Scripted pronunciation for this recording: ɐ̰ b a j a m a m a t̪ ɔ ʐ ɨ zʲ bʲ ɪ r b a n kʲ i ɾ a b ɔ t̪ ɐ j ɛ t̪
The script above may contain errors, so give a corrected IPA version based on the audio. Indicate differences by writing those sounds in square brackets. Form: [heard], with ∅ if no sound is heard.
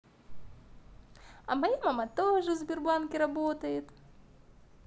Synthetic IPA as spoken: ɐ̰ [m] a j a m a m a t̪ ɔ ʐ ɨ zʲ bʲ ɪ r b a n kʲ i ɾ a b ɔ t̪ ɐ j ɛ t̪